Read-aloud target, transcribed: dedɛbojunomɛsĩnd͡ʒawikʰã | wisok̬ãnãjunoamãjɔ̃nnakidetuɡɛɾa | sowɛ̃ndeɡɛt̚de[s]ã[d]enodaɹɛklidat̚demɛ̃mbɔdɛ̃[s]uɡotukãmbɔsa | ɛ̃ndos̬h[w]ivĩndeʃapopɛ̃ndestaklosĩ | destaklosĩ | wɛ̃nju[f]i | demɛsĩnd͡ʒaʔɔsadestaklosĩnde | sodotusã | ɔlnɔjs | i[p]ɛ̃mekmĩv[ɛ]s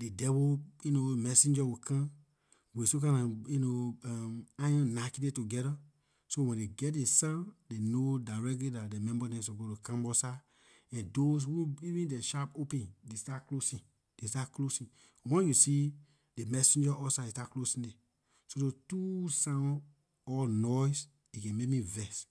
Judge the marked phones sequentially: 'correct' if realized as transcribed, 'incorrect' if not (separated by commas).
correct, correct, correct, incorrect, incorrect, incorrect, correct